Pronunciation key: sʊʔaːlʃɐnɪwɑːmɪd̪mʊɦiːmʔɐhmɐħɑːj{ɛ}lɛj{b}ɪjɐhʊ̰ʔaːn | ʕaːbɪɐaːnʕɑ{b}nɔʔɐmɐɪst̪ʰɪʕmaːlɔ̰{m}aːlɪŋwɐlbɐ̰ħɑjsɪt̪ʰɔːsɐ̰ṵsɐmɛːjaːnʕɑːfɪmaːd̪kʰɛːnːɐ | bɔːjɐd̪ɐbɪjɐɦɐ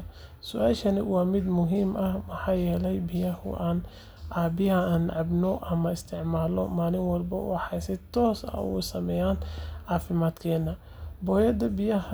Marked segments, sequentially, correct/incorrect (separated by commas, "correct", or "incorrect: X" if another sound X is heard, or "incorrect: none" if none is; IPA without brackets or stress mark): incorrect: ɛː, correct, correct, correct